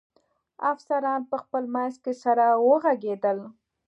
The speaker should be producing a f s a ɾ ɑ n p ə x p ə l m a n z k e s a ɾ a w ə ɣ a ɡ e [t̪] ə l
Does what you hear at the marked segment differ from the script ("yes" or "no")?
yes